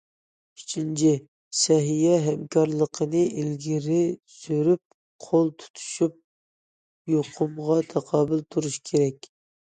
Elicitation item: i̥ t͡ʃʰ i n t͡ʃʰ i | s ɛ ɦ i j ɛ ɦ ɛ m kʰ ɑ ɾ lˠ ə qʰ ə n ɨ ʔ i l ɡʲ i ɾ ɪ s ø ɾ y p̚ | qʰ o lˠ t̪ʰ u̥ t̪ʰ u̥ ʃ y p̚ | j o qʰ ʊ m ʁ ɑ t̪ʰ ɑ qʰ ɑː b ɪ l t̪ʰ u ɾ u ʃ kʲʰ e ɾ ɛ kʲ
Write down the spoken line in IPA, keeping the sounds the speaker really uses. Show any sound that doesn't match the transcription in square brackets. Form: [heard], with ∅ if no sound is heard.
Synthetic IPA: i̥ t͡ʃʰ i n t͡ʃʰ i | s ɛ ɦ i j ɛ ɦ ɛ m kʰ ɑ ɾ lˠ ə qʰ ə n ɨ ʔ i l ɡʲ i ɾ ɪ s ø ɾ y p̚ | qʰ o lˠ t̪ʰ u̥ t̪ʰ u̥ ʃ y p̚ | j o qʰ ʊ m ʁ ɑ t̪ʰ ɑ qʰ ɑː b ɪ l t̪ʰ u ɾ u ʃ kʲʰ e ɾ ɛ kʲ